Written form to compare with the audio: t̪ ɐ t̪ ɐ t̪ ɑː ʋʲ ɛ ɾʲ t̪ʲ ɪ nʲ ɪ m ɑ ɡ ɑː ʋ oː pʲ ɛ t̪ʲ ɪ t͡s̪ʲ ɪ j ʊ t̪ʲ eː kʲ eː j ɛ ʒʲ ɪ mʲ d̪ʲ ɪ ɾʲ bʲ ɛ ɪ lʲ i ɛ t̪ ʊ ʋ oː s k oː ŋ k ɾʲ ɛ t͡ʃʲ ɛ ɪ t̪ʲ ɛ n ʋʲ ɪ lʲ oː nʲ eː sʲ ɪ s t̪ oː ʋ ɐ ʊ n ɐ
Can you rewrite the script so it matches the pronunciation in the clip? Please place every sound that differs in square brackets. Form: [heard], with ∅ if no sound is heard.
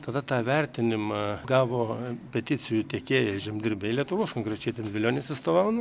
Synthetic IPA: t̪ ɐ [d̪] ɐ t̪ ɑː ʋʲ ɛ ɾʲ t̪ʲ ɪ nʲ ɪ m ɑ ɡ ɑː ʋ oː pʲ ɛ t̪ʲ ɪ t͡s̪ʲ ɪ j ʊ t̪ʲ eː kʲ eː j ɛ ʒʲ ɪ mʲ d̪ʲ ɪ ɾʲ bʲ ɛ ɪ lʲ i ɛ t̪ ʊ ʋ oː s k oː ŋ k ɾʲ ɛ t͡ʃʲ ɛ ɪ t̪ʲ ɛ n ʋʲ ɪ lʲ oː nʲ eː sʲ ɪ s t̪ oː ʋ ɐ ʊ n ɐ